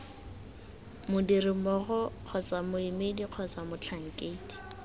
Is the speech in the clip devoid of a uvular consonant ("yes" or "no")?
no